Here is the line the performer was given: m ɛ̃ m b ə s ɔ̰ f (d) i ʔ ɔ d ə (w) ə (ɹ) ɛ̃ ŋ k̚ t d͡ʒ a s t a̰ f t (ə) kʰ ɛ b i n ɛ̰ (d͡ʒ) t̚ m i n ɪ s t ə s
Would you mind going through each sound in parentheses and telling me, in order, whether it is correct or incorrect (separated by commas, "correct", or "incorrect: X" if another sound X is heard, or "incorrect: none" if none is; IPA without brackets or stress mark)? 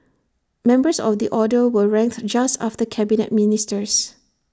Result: correct, correct, correct, correct, incorrect: none